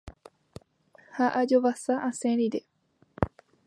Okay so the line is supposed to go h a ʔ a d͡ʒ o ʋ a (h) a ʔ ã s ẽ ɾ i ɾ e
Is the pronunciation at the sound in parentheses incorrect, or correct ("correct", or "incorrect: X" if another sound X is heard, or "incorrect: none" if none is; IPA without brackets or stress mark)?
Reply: incorrect: s